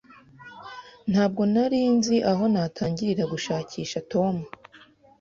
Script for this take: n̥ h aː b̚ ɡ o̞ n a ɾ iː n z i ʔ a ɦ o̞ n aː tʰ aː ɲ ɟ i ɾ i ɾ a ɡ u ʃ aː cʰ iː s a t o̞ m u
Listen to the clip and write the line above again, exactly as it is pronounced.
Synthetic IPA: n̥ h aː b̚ ɡ o̞ n a ɾ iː n z i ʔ a ɦ o̞ n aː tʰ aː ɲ ɟ i ɾ i ɾ a ɡ u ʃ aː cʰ iː ʃ a t o̞ m u